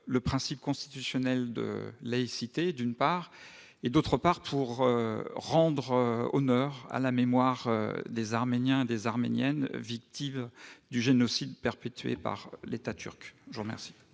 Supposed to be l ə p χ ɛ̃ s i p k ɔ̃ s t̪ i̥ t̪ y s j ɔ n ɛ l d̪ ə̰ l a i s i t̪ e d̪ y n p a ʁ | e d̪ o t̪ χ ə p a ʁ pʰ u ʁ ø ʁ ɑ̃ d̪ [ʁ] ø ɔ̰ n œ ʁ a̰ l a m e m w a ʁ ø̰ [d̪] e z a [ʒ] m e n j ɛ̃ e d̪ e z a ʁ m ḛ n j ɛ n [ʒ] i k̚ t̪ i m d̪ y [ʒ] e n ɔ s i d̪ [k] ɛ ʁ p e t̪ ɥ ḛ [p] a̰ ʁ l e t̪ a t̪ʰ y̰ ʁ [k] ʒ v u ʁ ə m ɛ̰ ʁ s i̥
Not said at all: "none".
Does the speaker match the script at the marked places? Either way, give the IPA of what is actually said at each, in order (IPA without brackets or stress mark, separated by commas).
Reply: ʁ, d̪, ʁ, v, ʒ, p, p, k